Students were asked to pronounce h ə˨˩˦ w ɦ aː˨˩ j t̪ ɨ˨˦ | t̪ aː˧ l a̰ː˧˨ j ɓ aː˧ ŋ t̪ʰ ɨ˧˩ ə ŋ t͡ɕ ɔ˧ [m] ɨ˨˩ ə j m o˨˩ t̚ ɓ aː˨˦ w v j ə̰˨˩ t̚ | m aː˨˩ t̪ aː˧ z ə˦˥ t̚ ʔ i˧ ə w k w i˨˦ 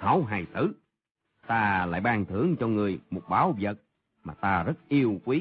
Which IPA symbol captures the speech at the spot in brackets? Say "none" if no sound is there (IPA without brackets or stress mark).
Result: ŋ